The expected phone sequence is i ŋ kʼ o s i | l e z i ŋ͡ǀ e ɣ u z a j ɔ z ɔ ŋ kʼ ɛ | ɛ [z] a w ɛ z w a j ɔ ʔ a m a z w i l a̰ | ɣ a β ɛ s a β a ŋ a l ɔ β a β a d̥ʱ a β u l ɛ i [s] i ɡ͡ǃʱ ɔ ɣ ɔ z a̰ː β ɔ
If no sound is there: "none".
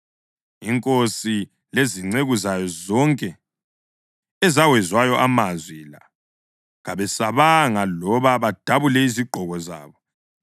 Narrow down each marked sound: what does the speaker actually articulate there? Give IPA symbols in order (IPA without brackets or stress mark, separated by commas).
z, z